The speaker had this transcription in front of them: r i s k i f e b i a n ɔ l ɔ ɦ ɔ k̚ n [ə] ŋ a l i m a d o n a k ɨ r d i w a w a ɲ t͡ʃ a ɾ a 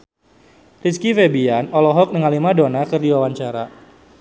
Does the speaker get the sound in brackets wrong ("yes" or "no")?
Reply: no